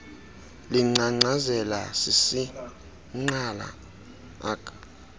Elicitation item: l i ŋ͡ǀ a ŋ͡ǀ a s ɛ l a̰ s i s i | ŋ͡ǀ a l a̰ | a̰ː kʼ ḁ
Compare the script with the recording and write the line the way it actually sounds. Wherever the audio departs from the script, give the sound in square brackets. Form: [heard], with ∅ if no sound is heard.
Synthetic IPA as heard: l i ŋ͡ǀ a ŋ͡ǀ a [z] ɛ l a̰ s i s i | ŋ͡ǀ a l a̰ | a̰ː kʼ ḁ